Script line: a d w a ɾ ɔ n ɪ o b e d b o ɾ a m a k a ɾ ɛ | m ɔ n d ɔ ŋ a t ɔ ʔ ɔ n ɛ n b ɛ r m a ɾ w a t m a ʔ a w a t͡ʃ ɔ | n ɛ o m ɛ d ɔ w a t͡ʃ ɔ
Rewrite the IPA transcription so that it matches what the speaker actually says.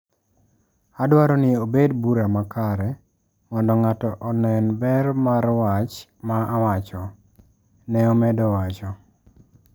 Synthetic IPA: a d w a ɾ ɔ n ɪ o b e d b u ɾ a m a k a ɾ ɛ | m ɔ n d ɔ ŋ a t ɔ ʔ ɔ n ɛ n b ɛ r m a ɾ w a t͡ʃ m a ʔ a w a t͡ʃ ɔ | n ɛ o m ɛ d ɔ w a t͡ʃ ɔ